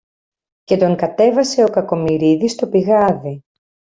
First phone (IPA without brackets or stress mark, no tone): c